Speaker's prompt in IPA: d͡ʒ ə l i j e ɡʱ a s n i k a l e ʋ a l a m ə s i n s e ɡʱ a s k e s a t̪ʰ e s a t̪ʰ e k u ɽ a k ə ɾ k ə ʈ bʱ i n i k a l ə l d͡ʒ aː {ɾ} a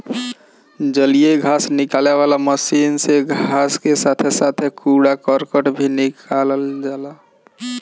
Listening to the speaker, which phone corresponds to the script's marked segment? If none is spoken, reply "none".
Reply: l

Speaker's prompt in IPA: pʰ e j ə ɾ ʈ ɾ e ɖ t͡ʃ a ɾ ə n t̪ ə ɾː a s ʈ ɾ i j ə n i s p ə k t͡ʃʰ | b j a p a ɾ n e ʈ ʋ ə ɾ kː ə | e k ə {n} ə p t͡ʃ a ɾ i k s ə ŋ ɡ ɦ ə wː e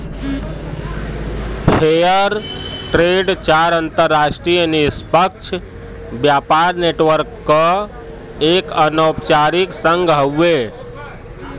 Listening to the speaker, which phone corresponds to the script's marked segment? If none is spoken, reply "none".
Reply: n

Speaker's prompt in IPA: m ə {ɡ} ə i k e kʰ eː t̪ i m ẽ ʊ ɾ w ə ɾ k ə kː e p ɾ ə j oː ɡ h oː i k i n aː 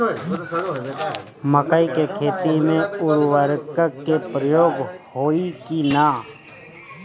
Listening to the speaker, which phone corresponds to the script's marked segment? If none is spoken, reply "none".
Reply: k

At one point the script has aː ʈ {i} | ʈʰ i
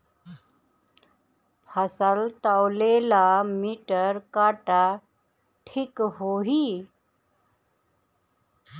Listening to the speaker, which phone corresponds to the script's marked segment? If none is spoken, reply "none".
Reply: a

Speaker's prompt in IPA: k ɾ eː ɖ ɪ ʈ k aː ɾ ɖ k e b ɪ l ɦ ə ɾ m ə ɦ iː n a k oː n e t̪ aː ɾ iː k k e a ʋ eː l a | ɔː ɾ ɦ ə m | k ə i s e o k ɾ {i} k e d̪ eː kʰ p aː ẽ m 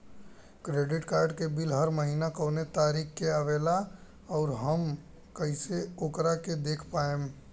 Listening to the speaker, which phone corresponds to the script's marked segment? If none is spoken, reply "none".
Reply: a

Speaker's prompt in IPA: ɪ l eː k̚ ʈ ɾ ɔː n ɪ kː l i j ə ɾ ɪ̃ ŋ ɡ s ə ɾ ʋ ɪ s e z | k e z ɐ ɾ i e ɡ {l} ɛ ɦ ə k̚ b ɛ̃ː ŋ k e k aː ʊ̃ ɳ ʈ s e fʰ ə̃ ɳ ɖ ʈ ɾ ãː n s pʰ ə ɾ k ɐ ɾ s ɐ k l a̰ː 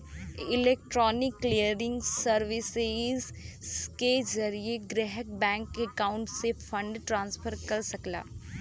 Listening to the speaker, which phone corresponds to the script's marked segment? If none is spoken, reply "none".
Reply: ɾ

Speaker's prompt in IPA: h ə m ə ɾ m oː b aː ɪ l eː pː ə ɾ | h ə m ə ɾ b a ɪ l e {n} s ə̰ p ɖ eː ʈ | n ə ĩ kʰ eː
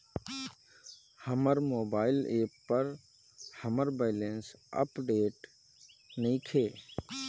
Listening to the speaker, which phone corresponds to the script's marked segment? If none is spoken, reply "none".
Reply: n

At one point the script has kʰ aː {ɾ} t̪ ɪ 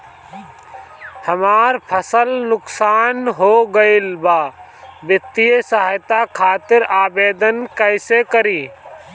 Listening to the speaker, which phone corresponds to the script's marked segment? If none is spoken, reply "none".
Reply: none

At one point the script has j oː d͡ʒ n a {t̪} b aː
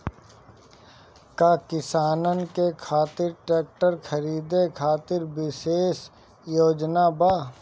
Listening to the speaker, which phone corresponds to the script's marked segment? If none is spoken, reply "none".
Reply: none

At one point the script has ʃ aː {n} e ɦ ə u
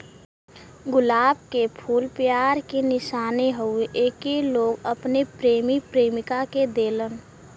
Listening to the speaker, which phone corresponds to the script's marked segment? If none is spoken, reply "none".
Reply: n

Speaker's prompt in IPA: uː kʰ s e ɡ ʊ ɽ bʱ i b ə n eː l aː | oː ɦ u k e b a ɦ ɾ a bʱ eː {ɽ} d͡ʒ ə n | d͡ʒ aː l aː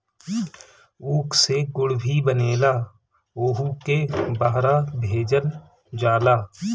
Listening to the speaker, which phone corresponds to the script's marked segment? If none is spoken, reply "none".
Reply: none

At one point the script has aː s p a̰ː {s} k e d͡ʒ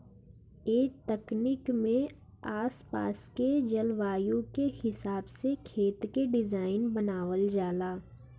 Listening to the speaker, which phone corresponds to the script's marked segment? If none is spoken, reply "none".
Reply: s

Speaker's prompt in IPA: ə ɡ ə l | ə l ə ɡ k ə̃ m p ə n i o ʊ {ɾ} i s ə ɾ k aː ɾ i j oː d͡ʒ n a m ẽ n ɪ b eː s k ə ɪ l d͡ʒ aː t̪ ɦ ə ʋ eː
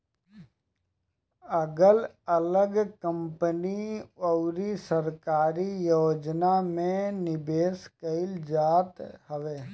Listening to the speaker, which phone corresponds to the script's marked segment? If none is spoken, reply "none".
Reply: ɾ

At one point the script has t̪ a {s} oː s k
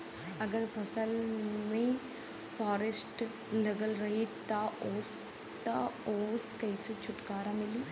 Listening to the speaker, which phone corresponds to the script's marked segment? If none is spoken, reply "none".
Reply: none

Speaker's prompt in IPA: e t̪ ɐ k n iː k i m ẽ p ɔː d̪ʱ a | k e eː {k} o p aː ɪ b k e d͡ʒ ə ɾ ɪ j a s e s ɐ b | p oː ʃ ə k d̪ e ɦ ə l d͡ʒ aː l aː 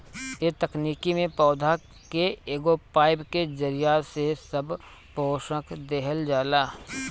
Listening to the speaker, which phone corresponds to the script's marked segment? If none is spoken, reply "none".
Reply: ɡ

